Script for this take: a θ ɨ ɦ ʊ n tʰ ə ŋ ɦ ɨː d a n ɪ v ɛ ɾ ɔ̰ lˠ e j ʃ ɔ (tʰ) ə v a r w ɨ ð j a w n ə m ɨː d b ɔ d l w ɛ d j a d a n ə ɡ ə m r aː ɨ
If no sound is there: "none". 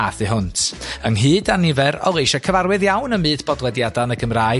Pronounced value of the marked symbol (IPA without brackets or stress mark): kʰ